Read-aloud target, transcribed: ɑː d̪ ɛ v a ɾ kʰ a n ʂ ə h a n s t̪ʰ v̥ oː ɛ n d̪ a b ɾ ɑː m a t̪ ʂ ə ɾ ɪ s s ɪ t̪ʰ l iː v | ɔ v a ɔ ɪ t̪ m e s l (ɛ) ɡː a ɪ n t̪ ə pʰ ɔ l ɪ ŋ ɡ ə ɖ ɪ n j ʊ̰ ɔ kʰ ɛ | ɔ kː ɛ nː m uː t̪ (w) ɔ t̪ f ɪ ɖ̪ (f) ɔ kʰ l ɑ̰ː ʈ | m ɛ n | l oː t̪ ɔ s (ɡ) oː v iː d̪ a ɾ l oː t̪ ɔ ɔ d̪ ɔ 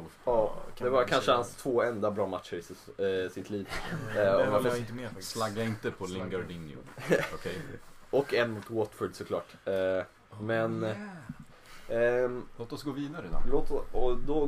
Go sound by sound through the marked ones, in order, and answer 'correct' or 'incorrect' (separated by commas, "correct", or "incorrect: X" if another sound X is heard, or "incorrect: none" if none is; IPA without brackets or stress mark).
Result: incorrect: a, correct, incorrect: s, correct